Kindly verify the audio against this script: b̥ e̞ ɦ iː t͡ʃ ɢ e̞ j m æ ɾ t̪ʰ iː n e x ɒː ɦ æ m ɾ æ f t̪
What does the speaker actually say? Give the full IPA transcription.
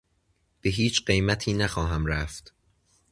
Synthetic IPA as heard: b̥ e̞ ɦ iː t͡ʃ ɢ e̞ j m æ t̪ʰ iː n æ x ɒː ɦ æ m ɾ æ f t̪